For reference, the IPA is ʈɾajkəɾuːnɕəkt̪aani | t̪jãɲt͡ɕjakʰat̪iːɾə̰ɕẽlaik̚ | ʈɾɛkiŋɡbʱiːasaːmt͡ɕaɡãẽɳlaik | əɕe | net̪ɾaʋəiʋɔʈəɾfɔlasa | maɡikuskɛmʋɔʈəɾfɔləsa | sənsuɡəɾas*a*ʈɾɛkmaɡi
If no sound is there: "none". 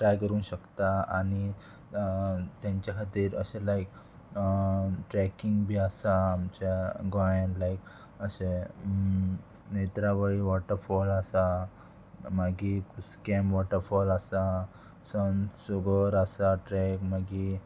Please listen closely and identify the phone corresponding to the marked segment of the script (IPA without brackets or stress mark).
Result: a